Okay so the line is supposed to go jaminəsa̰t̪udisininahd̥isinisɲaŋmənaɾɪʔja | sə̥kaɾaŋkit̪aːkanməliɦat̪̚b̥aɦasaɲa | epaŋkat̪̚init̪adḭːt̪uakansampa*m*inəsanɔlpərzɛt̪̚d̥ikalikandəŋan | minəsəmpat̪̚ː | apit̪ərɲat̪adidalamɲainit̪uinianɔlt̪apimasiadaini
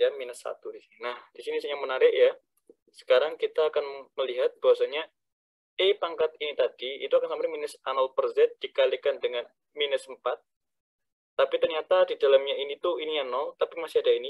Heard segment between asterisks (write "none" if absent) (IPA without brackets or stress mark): m